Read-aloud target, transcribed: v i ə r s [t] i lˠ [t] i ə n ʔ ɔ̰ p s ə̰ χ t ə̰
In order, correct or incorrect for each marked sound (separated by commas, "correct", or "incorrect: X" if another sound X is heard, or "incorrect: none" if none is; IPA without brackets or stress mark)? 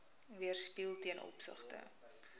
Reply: incorrect: p, correct